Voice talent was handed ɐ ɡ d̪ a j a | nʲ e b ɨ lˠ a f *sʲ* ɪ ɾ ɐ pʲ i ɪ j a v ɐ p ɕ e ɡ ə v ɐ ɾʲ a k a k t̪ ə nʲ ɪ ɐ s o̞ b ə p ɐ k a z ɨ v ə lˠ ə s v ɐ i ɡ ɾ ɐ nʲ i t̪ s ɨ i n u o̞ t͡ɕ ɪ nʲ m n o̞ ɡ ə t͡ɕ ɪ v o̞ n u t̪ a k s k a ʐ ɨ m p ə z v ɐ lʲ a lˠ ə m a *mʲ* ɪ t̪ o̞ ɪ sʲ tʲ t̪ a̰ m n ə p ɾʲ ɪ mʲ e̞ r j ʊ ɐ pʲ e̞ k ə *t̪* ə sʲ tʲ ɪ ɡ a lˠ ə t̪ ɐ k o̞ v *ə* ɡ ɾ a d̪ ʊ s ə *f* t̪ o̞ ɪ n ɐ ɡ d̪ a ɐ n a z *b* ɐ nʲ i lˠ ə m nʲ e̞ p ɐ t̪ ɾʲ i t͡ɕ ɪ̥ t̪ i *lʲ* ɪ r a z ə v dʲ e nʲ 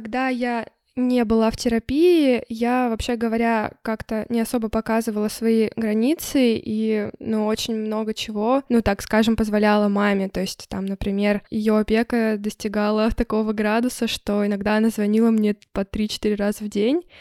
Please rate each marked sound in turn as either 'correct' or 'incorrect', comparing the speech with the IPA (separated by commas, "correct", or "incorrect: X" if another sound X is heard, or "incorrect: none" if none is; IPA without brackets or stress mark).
incorrect: tʲ, correct, incorrect: d̪, correct, incorrect: ʂ, incorrect: v, incorrect: ɾʲ